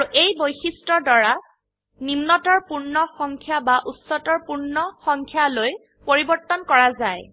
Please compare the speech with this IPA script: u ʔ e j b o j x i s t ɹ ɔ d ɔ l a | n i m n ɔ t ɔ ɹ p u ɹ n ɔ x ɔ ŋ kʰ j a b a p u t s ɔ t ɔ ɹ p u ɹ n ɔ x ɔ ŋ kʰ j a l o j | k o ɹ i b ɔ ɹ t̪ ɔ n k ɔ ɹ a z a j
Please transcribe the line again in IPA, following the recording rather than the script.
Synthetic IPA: u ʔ e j b o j x i s t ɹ ɔ d ɔ ɹ a | n i m n ɔ t ɔ ɹ p u ɹ n ɔ x ɔ ŋ kʰ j a b a ʔ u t s ɔ t ɔ ɹ p u ɹ n ɔ x ɔ ŋ kʰ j a l o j | p o ɹ i b ɔ ɹ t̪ ɔ n k ɔ ɹ a z a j